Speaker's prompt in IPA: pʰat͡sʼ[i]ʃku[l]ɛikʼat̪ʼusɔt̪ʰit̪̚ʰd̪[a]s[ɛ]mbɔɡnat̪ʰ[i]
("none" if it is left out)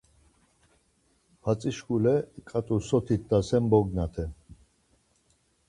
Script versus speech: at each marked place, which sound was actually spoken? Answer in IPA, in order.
i, l, a, ɛ, ɛ

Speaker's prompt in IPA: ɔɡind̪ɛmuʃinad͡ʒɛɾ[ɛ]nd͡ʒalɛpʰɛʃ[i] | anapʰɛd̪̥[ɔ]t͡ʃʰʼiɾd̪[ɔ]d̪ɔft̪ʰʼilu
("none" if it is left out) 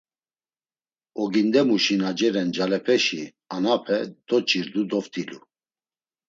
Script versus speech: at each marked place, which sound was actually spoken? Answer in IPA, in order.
ɛ, i, ɔ, u

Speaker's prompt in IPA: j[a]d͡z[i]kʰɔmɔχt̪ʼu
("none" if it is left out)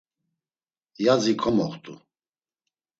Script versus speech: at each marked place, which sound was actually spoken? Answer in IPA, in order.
a, i

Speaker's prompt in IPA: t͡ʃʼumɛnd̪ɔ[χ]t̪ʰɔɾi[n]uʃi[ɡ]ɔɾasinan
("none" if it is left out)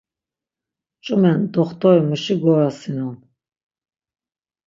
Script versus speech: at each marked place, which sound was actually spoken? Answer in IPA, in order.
χ, m, ɡ

